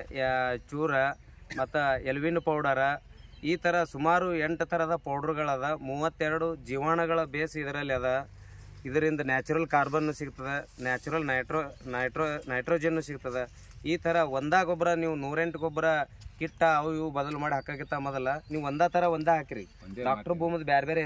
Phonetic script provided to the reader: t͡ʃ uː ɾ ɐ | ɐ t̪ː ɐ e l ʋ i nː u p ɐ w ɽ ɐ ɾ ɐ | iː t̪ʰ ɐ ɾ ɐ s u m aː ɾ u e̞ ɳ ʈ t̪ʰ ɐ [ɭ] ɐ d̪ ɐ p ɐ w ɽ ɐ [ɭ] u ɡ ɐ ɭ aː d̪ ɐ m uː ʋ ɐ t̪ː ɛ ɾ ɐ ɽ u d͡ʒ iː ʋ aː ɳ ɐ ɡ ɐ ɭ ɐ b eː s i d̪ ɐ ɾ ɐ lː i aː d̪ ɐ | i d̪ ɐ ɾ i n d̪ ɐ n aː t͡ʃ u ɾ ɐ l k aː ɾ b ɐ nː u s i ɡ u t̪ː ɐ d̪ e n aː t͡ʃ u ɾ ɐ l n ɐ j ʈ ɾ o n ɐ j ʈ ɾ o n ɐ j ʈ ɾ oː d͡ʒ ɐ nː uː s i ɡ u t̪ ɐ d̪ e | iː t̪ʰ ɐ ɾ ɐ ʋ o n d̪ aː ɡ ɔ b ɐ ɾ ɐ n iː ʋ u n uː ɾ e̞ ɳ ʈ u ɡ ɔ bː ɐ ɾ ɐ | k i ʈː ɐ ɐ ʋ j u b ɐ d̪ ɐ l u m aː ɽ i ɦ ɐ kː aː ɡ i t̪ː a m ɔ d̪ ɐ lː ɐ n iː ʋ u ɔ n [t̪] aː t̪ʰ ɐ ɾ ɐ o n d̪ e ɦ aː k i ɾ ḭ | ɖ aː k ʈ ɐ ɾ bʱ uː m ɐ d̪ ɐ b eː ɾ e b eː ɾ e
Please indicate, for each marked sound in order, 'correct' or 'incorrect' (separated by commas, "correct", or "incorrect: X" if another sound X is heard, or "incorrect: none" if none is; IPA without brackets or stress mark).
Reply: incorrect: ɾ, incorrect: ɾ, incorrect: d̪